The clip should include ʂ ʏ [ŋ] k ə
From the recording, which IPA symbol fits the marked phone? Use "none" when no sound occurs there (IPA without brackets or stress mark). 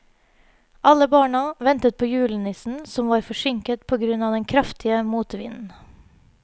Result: ŋ